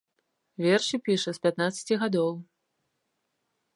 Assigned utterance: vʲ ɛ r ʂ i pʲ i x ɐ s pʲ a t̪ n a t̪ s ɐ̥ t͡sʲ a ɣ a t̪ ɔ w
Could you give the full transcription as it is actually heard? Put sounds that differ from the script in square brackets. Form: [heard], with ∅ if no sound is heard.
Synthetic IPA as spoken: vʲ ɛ r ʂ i pʲ i [ʂ] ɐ s pʲ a t̪ n a t̪ s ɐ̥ t͡sʲ [i] ɣ a [d̪] ɔ w